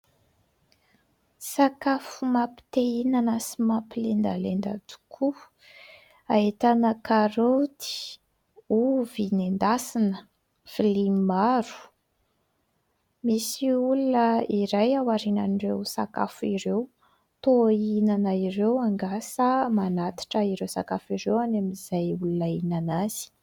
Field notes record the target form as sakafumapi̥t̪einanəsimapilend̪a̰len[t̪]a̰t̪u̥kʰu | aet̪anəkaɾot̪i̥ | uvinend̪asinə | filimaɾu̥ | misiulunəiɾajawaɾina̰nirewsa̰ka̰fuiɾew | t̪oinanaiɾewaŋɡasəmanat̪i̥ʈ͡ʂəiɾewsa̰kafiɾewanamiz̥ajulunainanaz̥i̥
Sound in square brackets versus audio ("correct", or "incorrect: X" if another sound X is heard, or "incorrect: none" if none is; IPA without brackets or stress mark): incorrect: d̪